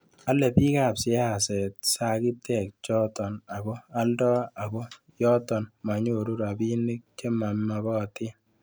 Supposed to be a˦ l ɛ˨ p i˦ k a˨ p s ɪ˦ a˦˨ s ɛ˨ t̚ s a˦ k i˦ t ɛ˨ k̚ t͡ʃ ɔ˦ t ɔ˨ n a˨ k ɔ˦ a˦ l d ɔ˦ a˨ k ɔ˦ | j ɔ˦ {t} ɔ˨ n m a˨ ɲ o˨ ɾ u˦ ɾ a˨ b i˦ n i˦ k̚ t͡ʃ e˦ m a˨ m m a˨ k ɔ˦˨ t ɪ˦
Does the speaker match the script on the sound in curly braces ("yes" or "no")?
yes